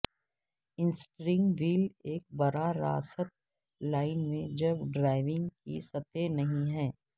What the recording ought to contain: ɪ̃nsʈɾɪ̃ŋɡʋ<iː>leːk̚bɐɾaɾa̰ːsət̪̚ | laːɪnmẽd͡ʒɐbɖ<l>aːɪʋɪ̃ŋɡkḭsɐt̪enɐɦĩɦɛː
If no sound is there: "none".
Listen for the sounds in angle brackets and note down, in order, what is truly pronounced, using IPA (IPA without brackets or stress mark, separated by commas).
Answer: iː, ɾ